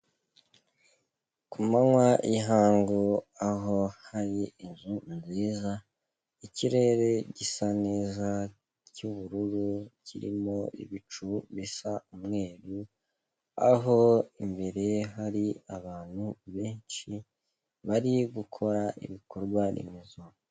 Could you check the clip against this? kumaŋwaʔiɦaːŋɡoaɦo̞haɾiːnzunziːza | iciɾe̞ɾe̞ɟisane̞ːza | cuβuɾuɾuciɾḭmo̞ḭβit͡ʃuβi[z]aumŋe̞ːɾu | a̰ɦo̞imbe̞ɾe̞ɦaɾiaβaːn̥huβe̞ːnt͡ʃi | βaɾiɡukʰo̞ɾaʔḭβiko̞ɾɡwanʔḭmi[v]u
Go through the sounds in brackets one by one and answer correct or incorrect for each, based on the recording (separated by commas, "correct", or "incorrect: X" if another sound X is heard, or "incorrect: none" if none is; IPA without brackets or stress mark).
incorrect: s, incorrect: z